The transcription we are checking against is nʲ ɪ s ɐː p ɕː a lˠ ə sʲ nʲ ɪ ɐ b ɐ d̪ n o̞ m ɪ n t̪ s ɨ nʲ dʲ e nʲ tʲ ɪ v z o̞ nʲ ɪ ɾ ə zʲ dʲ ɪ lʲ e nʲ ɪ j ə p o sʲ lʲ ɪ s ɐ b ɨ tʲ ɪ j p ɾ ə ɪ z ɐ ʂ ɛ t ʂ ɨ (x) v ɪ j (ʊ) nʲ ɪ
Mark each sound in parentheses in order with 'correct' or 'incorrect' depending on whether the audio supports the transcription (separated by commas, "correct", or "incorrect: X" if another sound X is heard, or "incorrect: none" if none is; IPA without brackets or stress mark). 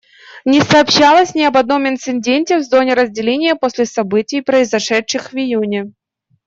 correct, incorrect: u